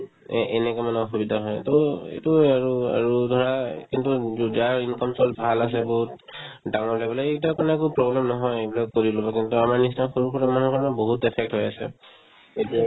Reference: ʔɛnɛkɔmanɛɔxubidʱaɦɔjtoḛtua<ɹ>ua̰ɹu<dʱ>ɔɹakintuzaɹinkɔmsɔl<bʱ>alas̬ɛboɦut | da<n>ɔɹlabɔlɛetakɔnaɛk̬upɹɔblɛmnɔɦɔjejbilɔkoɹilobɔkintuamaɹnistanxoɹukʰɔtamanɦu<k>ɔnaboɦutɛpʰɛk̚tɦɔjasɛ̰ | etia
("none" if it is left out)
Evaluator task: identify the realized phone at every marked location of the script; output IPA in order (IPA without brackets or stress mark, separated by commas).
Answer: ɹ, dʱ, bʱ, ŋ, k